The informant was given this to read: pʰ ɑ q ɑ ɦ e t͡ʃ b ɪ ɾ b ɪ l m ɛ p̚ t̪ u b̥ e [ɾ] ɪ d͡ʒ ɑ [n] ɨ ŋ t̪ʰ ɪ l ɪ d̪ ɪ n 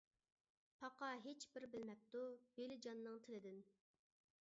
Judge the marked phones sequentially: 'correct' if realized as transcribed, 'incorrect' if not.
incorrect: l, incorrect: nː

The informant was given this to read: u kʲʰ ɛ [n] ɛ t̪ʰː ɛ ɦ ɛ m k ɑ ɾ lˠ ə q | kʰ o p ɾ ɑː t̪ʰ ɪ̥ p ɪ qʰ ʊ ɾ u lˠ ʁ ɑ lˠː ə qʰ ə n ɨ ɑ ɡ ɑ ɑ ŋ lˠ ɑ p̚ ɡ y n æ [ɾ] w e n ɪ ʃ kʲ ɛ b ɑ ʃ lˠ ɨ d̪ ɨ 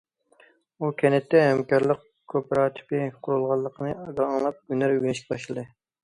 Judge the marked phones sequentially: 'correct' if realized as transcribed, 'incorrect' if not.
correct, correct

